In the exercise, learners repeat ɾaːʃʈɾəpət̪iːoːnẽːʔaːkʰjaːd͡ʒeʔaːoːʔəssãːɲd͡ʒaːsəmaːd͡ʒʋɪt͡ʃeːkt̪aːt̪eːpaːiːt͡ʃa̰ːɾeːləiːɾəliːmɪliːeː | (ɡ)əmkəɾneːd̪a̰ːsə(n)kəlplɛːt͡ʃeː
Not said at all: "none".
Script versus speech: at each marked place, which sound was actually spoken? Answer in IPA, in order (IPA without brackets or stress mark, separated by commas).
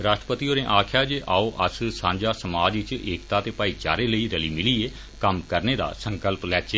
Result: k, ŋ